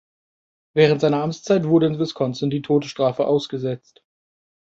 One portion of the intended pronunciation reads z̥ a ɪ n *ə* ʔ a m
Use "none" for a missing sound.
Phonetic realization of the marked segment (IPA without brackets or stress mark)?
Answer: ɐ